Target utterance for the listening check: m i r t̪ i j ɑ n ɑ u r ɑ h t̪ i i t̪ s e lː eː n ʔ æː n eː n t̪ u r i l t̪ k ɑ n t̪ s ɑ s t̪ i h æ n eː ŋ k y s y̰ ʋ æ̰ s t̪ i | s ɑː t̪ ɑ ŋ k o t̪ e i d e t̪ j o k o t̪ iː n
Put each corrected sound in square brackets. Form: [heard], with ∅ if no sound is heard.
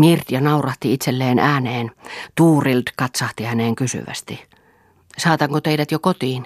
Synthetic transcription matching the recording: m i r t̪ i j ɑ n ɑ u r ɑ h t̪ i i t̪ s e lː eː n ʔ æː n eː n t̪ [uː] r i l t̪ k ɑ [∅] t̪ s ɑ [h] t̪ i h æ n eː ŋ k y s y̰ ʋ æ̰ s t̪ i | s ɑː t̪ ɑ ŋ k o t̪ e i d [æ] t̪ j o k o t̪ iː n